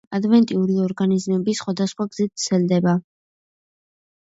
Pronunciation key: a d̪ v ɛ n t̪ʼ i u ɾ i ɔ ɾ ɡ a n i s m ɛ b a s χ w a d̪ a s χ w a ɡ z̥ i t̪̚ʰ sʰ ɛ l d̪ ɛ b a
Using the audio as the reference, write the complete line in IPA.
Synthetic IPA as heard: a d̪ v ɛ n t̪ʼ i u ɾ i ɔ ɾ ɡ a n i z m ɛ b i s χ w a d̪ a s χ w a ɡ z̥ i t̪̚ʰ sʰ ɛ l d̪ ɛ b a